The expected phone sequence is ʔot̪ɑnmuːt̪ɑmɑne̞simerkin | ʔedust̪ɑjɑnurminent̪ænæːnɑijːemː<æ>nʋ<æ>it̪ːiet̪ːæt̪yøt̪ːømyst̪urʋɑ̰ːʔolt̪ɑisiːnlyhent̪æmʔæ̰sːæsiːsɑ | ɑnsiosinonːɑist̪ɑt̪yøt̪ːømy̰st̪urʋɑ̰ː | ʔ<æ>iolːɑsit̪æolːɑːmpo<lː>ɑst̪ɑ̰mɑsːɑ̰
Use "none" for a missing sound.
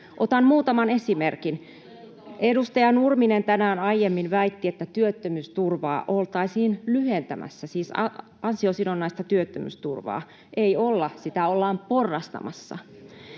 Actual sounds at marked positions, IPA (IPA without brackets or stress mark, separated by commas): i, æ, e, rː